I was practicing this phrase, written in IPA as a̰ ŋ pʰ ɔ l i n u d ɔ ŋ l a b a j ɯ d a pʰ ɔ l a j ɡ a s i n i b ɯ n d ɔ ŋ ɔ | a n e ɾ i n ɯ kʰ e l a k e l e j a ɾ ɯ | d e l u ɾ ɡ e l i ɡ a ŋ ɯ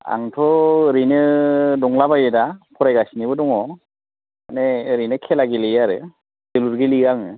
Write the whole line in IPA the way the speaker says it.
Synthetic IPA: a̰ ŋ tʰ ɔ ɾ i n ɯ d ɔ ŋ l a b a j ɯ d a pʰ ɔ ɾ a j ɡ a s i n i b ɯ d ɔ ŋ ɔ | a n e ɾ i n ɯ kʰ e l a ɡ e l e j a ɾ ɯ | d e l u ɾ ɡ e l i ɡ a ŋ ɯ